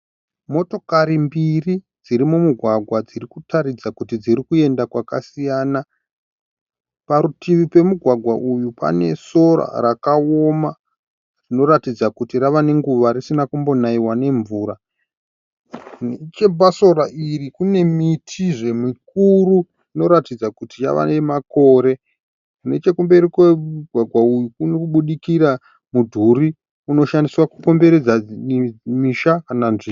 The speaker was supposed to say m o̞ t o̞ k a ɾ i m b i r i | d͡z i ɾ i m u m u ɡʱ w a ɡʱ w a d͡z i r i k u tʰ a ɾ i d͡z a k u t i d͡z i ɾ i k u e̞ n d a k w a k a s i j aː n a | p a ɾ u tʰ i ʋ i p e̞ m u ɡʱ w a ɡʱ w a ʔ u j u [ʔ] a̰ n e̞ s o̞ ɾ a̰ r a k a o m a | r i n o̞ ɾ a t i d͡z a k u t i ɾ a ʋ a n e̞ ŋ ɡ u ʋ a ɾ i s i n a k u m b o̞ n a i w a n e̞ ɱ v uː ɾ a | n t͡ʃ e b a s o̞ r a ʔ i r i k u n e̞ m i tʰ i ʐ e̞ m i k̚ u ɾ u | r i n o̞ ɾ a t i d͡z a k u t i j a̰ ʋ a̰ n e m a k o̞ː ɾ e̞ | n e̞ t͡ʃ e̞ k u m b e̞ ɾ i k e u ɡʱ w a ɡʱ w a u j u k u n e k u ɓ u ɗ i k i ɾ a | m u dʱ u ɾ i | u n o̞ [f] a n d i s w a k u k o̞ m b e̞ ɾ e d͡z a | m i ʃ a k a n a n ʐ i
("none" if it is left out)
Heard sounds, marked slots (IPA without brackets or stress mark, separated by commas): p, ʃ